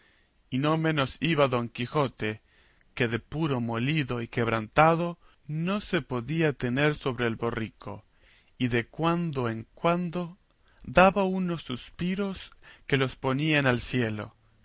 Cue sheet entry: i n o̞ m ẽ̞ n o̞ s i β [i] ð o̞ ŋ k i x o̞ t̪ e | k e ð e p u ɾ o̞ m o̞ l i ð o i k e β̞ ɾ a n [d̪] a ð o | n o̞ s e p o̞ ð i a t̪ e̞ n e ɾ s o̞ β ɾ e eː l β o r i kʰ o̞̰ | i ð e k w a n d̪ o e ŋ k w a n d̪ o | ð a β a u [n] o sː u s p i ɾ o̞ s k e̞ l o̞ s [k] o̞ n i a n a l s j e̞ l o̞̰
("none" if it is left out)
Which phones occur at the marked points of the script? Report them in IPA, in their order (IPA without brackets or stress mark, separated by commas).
a, t̪, n, p